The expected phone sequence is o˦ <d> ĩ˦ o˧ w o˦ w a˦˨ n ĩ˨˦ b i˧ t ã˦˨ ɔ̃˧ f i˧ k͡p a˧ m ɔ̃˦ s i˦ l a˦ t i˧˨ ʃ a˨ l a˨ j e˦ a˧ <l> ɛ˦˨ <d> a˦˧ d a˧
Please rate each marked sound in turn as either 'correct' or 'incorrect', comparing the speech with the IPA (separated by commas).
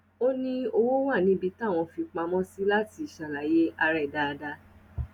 incorrect, incorrect, correct